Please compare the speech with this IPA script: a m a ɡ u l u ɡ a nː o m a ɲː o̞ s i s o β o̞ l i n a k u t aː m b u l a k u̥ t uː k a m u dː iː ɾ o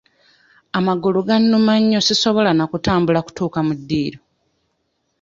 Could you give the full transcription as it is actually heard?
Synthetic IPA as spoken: a m a ɡ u l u ɡ a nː u m a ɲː o̞ s i s o β o̞ l a n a k u t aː m b u l a k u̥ t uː k a m u dː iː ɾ o